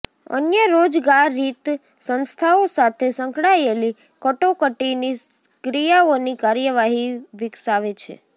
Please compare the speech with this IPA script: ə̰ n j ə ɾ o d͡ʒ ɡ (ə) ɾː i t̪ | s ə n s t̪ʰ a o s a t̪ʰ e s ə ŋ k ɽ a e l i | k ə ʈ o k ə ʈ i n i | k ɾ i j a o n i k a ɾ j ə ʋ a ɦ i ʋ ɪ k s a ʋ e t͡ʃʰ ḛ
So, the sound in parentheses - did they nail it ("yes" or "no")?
no